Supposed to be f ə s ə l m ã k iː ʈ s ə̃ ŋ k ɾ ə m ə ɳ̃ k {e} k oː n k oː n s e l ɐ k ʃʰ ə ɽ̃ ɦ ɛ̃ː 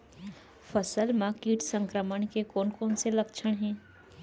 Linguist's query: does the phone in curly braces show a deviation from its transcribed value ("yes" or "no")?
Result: no